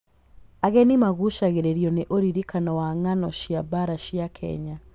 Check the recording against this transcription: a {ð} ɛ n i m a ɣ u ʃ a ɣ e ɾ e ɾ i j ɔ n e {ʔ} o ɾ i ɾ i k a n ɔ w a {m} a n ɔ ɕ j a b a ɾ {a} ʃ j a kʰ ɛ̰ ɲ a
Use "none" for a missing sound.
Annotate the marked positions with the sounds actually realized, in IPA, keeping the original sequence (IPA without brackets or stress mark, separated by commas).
ɣ, ʔ, ŋ, a